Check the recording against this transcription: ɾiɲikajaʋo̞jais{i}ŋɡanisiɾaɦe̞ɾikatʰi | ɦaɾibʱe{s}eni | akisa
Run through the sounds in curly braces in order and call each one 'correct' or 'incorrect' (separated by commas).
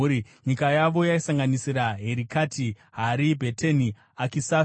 incorrect, incorrect